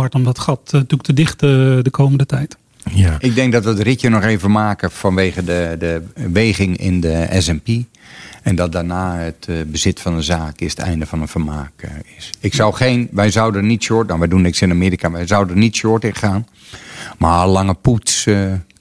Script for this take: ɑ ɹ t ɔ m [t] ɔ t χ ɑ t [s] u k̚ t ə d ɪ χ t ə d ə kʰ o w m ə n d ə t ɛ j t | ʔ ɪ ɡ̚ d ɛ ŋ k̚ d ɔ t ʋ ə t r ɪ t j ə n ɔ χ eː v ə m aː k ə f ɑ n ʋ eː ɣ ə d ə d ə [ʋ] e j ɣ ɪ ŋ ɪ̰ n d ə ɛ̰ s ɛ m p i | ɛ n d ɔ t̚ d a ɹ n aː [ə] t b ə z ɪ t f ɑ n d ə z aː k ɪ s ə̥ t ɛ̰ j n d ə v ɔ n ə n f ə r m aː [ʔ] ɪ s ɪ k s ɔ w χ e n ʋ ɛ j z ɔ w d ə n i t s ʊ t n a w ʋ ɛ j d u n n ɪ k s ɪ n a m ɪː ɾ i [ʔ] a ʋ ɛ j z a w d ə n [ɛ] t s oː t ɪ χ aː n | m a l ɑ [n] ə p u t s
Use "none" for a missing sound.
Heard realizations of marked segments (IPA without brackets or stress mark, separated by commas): d, t, ʋ, ə, k, k, i, ŋ